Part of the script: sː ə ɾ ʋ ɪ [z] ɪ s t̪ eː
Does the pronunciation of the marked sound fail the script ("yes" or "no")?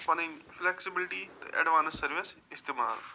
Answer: yes